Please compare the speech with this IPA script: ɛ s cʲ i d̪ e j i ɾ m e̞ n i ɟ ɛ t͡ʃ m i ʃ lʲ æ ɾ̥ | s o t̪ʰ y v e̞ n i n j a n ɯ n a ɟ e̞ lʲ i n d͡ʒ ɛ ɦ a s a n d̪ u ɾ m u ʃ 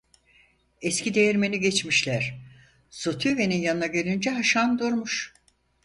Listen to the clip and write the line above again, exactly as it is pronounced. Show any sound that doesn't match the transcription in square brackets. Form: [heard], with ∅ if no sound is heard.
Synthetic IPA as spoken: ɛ s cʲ i d̪ e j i ɾ m e̞ n i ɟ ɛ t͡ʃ m i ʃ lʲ æ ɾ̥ | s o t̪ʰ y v e̞ n i n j a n ɯ n a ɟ e̞ lʲ i n d͡ʒ ɛ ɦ a [ʃ] a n d̪ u ɾ m u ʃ